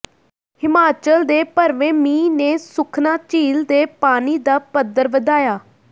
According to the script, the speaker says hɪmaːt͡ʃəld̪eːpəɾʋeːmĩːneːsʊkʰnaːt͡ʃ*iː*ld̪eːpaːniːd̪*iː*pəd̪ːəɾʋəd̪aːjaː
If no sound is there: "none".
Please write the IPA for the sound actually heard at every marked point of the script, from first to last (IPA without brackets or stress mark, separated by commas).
iː, aː